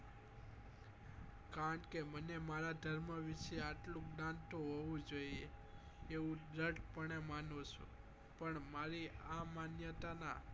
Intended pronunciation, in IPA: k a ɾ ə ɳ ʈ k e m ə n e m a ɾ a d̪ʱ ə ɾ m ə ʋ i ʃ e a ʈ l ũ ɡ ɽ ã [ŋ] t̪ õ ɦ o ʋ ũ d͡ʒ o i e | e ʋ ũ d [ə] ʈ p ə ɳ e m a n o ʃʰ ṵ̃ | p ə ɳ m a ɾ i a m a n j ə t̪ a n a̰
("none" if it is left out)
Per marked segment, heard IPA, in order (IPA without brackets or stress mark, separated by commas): n, ə